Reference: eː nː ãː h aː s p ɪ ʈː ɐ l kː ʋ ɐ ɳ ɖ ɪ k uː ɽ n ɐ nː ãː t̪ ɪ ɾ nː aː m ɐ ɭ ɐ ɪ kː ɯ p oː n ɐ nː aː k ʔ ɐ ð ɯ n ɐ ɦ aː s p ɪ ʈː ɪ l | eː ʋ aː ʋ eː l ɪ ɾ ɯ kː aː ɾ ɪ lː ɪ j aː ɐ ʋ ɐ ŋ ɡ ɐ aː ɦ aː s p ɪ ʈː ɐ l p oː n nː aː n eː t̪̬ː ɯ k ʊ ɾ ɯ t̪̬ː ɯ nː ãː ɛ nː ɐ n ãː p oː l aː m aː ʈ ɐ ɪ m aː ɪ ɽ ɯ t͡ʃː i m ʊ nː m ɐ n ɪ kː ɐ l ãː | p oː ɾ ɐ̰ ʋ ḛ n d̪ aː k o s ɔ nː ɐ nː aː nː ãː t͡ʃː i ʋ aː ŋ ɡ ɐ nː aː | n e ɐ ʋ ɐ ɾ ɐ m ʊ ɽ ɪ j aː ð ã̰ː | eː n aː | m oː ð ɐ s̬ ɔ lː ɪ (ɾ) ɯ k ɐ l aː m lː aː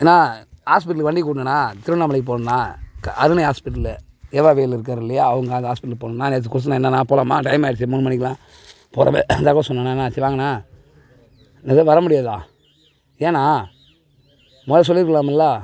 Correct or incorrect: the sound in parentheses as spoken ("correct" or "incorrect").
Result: correct